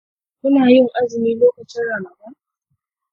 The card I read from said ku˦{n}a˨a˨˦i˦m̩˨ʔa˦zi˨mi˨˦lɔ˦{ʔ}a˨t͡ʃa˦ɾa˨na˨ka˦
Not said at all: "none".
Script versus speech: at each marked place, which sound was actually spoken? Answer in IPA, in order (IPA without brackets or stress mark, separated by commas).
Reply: n, k